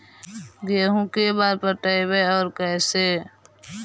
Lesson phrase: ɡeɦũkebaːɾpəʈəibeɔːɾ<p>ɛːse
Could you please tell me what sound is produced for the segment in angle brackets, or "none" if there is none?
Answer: k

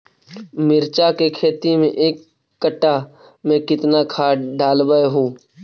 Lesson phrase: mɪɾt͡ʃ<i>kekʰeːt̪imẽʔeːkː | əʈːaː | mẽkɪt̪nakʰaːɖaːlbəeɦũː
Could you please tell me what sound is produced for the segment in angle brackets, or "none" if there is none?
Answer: a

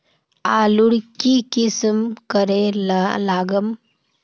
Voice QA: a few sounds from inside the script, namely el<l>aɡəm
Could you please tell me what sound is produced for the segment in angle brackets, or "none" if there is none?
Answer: l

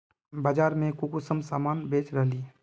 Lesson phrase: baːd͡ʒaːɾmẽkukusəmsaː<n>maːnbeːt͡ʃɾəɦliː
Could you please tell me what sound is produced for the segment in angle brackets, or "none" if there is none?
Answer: none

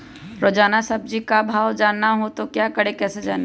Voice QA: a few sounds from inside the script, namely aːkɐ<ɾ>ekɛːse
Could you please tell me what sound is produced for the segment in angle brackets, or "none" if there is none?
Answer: ɽ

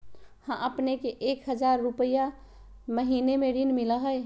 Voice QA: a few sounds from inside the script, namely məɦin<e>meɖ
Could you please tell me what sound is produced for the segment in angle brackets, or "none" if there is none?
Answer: e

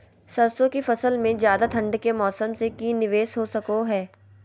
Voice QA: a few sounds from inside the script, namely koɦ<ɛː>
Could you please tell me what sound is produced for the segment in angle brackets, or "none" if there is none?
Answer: ɛː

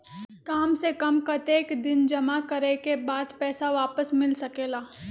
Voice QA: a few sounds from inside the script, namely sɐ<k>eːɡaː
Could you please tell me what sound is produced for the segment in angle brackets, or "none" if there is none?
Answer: k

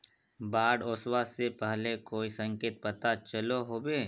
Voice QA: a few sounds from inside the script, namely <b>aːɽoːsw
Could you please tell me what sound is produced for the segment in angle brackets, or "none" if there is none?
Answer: b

